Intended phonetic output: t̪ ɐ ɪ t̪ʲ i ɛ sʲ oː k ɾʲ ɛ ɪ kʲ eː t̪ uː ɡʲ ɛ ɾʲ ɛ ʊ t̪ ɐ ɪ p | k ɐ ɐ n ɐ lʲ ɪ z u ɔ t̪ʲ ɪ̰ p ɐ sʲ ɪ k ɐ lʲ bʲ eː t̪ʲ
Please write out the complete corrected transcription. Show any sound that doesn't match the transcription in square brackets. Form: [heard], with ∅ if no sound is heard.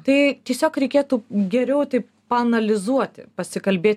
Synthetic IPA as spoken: t̪ ɐ ɪ t̪ʲ i ɛ sʲ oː k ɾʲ ɛ ɪ kʲ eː t̪ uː ɡʲ ɛ ɾʲ ɛ ʊ t̪ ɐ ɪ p | [p] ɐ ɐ n ɐ lʲ ɪ z u ɔ t̪ʲ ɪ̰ p ɐ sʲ ɪ k ɐ lʲ bʲ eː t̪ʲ